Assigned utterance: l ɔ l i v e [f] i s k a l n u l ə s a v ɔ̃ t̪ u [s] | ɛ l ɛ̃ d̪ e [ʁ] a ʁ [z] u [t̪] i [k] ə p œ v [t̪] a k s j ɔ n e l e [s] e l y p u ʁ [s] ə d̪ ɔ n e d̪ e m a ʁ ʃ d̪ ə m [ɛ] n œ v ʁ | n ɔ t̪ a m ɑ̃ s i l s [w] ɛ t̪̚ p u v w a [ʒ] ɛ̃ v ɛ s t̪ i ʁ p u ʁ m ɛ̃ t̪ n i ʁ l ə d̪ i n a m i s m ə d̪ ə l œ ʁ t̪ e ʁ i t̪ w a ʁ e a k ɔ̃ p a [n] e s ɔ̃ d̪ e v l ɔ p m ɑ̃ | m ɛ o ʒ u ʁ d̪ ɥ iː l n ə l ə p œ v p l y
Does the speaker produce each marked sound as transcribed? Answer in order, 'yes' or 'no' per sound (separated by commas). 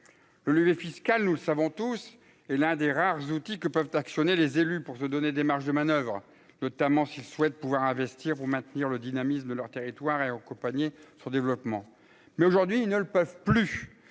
yes, yes, yes, yes, yes, yes, yes, no, yes, no, yes, no, no